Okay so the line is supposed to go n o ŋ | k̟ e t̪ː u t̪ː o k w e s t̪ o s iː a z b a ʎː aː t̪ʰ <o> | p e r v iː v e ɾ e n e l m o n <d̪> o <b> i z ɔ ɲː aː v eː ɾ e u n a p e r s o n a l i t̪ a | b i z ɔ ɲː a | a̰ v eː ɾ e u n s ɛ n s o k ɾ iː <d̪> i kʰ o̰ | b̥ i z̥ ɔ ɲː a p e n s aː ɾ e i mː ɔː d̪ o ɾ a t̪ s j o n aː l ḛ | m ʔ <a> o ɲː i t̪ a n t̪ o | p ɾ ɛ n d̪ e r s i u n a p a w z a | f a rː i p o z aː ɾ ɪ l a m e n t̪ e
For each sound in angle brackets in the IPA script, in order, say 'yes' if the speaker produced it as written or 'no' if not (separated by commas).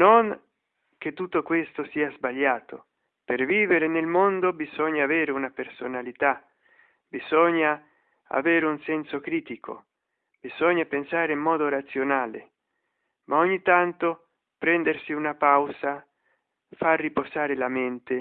yes, yes, yes, no, yes